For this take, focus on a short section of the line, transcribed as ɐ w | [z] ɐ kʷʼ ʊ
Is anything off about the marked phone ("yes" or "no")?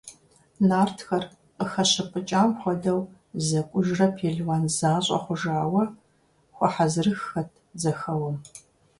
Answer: no